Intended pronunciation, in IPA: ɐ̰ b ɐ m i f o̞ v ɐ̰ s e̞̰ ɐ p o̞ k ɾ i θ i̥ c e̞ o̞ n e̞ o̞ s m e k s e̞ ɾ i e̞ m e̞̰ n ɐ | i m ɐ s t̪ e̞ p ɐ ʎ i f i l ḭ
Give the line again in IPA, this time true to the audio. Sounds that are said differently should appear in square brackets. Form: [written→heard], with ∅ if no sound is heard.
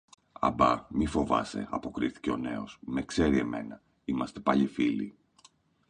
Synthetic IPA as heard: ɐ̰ b ɐ m i f o̞ v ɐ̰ s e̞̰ ɐ p o̞ k ɾ i θ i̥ c e̞ o̞ n e̞ o̞ s m e k s e̞ ɾ i e̞ m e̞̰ n ɐ | i m ɐ s t̪ e̞ p ɐ ʎ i f i l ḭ

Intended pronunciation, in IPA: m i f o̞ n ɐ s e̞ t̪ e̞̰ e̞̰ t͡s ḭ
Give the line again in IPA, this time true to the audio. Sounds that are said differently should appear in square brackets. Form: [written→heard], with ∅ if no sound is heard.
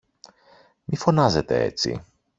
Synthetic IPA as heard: m i f o̞ n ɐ [s→z] e̞ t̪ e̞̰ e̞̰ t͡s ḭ

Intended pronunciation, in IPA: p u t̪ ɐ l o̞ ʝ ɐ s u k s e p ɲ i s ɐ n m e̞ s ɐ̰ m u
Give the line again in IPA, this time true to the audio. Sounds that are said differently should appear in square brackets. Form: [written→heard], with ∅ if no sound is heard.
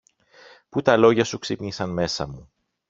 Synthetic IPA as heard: p u t̪ ɐ l o̞ ʝ ɐ s u k s [e→i] p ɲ i s ɐ n m e̞ s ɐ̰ m u

